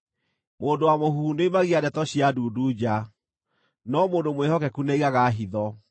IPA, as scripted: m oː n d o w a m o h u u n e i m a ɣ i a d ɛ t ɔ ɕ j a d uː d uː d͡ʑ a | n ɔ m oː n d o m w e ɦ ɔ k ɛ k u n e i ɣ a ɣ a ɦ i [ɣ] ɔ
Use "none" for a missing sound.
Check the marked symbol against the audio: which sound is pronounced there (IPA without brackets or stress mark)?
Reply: ð